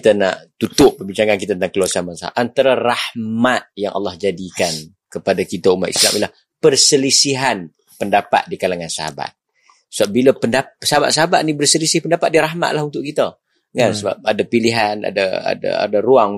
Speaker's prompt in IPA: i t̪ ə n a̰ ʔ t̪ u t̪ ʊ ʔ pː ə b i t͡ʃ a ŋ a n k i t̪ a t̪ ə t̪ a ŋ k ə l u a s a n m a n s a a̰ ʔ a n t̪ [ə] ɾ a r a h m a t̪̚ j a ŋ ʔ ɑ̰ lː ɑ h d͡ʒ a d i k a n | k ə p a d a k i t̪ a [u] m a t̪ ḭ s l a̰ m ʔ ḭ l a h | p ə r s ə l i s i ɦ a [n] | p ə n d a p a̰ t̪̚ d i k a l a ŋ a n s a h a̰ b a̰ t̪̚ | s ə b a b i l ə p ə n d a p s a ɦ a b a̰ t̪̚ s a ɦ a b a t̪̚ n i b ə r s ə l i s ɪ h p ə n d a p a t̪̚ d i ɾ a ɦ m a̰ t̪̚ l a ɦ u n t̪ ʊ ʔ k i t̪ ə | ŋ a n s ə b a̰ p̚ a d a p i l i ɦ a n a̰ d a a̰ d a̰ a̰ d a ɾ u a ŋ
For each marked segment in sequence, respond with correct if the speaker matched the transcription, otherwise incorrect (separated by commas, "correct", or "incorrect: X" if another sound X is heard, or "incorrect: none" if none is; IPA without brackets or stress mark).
incorrect: a, correct, correct